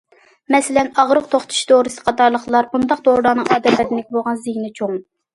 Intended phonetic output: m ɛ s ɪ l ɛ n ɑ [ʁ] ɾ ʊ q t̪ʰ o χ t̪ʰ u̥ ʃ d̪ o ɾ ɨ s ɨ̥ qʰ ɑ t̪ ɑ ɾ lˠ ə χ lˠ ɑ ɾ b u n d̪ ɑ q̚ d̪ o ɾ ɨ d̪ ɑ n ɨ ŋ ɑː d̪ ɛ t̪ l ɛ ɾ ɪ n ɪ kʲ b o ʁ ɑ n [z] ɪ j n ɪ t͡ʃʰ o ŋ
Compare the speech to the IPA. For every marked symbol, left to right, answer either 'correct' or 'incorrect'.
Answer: correct, correct

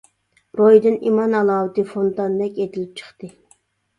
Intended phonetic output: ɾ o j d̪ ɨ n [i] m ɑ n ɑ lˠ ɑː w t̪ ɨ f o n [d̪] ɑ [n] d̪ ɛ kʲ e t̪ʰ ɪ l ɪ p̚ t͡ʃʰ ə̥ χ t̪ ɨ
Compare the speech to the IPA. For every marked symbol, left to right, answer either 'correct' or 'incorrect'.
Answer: correct, incorrect: t̪, correct

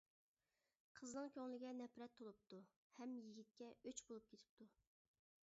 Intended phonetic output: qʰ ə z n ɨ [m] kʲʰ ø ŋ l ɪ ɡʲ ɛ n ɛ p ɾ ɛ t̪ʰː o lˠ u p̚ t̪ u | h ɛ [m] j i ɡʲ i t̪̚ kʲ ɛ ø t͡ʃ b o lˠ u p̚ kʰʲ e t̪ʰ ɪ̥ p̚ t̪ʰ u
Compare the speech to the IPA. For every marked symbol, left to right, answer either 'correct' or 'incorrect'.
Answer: incorrect: ŋ, correct

